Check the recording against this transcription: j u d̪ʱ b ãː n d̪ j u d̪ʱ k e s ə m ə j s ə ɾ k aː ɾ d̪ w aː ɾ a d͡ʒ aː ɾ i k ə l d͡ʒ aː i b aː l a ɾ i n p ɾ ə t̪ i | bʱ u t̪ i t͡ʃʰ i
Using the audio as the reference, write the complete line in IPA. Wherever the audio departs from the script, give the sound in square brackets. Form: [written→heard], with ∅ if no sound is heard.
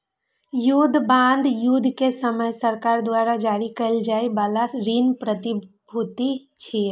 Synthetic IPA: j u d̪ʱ b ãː n d̪ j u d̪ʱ k e s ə m ə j s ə ɾ k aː ɾ d̪ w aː ɾ a d͡ʒ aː ɾ i k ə l d͡ʒ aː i b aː l a ɾ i n p ɾ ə t̪ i | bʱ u t̪ i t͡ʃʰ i